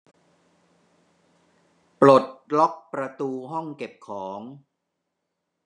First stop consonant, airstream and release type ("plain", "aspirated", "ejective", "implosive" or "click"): plain